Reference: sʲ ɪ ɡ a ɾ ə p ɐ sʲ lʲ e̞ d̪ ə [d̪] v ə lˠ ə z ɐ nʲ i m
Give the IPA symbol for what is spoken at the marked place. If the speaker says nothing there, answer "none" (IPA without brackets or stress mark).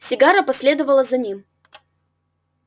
none